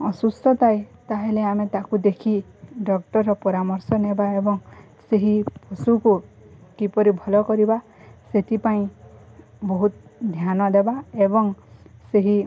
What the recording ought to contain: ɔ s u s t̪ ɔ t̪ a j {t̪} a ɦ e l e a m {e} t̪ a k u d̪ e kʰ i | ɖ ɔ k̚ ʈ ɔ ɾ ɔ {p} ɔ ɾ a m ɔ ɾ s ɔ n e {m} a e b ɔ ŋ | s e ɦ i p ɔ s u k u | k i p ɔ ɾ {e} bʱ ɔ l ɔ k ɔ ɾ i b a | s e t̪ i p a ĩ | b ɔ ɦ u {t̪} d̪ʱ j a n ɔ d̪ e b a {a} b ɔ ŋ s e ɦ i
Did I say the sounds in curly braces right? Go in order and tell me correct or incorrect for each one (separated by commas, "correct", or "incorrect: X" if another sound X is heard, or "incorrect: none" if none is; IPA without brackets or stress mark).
correct, correct, correct, incorrect: b, incorrect: i, correct, incorrect: e